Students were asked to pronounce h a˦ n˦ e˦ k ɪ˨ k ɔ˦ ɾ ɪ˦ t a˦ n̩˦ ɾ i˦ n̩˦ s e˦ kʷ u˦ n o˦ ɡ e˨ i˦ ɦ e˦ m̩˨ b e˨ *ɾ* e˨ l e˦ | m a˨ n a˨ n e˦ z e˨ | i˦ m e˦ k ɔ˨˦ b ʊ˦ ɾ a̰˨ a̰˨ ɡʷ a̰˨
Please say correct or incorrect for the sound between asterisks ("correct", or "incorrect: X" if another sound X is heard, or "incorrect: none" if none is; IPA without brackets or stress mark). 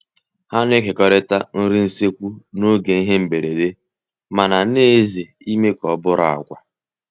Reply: correct